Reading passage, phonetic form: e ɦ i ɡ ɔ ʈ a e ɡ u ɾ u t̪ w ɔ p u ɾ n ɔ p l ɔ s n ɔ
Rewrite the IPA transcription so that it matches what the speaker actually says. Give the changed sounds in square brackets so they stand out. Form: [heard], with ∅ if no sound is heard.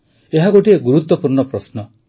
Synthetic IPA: e ɦ [a] ɡ [o] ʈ [i] e ɡ u ɾ u t̪ w ɔ p u ɾ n ɔ p [ɾ] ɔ s n ɔ